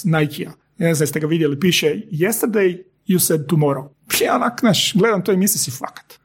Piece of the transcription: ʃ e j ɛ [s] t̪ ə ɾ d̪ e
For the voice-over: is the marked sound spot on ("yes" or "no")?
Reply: yes